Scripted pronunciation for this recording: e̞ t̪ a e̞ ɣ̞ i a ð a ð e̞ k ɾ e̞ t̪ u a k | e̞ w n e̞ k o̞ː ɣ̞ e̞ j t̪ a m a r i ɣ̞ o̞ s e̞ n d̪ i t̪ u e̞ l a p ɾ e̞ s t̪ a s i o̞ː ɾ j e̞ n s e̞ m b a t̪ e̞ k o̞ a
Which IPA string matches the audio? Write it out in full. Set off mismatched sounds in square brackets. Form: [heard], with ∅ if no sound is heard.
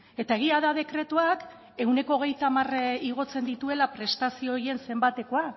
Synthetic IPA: e̞ t̪ a e̞ ɣ̞ i a ð a ð e̞ k ɾ e̞ t̪ u a k | e̞ w n e̞ k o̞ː ɣ̞ e̞ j t̪ a m a r i ɣ̞ o̞ [t͡s] e̞ n d̪ i t̪ u e̞ l a p ɾ e̞ s t̪ a s i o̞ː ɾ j e̞ n s e̞ m b a t̪ e̞ k o̞ a